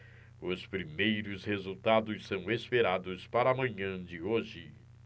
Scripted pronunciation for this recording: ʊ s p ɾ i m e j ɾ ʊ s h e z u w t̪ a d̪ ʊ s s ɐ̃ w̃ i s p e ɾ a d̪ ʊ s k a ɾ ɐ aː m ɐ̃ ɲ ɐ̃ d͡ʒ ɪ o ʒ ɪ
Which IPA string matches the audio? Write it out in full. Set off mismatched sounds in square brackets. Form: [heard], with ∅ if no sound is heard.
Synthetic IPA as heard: ʊ s p ɾ i m e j ɾ ʊ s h e z u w t̪ a d̪ ʊ s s ɐ̃ w̃ [e] s p e ɾ a d̪ ʊ s [p] a ɾ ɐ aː m ɐ̃ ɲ ɐ̃ d͡ʒ ɪ o ʒ ɪ